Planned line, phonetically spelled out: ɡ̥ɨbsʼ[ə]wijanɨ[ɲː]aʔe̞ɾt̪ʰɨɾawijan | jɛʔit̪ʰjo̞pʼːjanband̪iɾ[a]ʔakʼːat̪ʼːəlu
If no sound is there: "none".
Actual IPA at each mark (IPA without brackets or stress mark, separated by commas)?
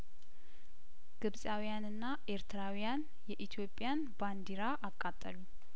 a, nː, a